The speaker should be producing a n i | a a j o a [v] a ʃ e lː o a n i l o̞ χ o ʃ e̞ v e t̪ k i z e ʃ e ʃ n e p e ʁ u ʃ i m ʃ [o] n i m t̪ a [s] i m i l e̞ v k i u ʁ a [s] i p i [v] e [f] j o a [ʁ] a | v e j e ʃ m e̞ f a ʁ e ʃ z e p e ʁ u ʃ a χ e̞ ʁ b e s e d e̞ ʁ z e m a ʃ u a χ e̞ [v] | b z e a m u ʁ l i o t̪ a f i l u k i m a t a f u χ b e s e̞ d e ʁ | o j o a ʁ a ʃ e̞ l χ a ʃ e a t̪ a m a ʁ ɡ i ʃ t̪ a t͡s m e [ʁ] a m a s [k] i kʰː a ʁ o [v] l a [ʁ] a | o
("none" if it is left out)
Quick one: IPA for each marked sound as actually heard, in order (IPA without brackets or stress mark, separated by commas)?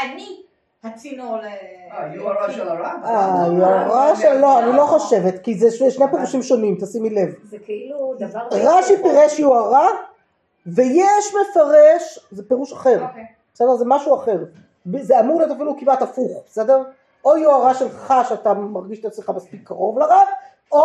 ʁ, o, s, ʃ, ʁ, ʃ, ʁ, ʁ, χ, p, v, ʁ